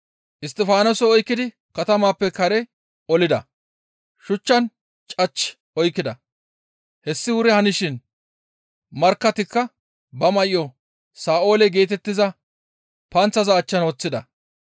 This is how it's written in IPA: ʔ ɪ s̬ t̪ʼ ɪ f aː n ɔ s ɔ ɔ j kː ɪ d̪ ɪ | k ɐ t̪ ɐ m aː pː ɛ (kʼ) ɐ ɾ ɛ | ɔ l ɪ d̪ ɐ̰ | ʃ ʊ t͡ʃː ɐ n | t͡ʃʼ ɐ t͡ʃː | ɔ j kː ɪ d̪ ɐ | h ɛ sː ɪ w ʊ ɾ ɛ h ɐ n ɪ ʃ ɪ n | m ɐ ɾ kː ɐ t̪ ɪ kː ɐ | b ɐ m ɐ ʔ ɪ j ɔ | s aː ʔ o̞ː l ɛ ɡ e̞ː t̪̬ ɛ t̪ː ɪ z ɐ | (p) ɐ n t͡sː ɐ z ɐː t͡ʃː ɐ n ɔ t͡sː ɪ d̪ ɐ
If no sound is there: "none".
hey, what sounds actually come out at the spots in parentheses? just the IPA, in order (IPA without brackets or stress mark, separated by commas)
k, p